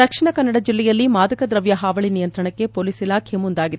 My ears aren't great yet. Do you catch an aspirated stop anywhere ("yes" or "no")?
yes